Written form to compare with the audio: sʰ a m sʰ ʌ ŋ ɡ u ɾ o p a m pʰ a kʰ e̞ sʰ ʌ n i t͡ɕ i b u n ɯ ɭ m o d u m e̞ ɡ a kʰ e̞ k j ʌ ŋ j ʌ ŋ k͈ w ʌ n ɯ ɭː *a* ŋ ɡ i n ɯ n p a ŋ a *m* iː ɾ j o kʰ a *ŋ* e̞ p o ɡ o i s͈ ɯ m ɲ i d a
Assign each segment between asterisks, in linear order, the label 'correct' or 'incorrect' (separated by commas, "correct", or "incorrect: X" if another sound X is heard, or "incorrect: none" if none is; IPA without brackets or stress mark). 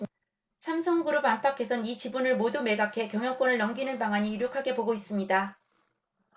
incorrect: ʌ, incorrect: ɲ, incorrect: ɡ